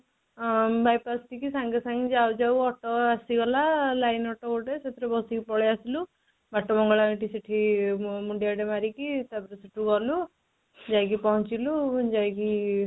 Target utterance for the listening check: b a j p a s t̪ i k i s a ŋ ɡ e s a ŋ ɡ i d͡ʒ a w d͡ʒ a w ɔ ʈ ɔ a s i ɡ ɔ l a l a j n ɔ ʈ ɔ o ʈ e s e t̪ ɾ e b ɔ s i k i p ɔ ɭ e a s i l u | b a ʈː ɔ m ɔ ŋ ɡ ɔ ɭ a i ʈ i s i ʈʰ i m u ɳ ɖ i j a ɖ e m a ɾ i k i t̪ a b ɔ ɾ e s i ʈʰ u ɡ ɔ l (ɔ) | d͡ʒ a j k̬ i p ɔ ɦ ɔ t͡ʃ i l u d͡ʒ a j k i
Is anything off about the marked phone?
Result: yes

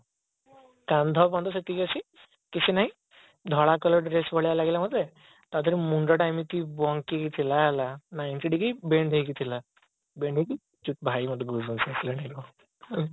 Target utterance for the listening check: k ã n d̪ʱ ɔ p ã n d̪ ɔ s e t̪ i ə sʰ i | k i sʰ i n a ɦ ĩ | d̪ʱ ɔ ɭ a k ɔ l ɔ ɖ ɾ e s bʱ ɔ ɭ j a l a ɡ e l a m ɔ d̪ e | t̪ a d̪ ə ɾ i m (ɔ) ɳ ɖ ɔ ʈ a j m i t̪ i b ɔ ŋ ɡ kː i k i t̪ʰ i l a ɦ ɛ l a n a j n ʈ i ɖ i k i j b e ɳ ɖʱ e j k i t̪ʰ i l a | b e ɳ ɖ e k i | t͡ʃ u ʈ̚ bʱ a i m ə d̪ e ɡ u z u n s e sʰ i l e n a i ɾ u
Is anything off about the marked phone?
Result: yes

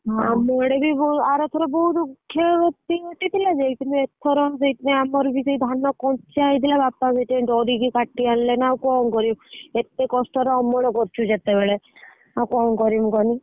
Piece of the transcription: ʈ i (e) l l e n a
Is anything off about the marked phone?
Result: yes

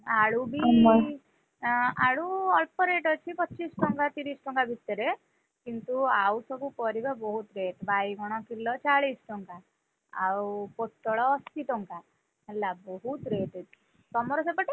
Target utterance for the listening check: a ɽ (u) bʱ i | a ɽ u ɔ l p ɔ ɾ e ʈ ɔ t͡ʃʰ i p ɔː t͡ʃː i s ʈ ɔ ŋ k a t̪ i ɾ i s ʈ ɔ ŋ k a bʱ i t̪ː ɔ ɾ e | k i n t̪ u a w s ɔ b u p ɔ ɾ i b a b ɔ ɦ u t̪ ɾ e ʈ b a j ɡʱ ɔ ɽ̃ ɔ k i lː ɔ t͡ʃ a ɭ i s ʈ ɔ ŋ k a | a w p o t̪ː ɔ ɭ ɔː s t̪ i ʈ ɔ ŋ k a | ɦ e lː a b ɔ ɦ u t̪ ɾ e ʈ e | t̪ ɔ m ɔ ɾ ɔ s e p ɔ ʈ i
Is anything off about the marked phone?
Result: no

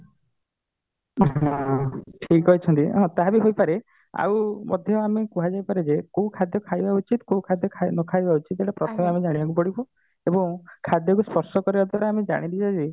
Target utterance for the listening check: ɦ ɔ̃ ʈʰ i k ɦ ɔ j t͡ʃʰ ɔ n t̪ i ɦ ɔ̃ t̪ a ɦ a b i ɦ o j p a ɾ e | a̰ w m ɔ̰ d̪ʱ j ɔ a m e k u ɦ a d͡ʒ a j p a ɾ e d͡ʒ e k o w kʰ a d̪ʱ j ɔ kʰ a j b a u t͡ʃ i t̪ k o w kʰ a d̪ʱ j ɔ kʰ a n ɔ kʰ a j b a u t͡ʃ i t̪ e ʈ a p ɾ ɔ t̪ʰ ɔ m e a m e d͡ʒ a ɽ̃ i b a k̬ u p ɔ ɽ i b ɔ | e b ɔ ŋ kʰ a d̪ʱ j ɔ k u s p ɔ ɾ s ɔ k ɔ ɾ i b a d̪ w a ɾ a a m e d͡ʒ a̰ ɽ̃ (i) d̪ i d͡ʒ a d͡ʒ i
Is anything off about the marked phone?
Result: no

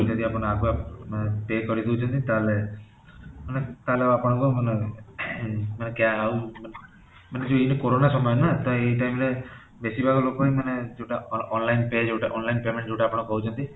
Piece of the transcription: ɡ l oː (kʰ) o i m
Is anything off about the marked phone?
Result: yes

